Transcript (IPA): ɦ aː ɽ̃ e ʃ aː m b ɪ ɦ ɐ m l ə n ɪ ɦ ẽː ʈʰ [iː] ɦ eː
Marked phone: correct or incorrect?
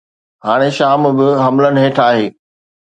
incorrect